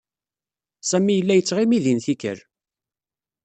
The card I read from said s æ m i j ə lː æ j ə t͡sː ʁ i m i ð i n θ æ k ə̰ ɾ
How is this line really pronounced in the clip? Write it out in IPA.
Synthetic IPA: s æ m i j ə lː æ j ə t͡sː ʁ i m i ð i n θ i k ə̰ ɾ